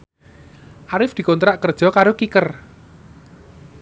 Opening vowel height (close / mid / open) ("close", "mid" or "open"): open